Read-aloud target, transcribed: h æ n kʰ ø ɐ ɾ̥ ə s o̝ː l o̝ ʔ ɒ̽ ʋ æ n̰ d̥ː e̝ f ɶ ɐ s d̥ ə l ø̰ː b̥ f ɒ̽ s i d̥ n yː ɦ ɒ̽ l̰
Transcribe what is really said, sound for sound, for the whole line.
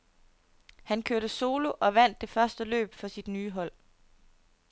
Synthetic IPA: h æ n kʰ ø ɐ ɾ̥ ə s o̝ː l o̝ ʔ ɒ̽ ʋ æ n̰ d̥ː e̝ f ɶ ɐ s d̥ ə l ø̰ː b̥ f ɒ̽ s i d̥ n yː ɦ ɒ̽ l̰